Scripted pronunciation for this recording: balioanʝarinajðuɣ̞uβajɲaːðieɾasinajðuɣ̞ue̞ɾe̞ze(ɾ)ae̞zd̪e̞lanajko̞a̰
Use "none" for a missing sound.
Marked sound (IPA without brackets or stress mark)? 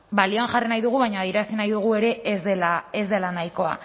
l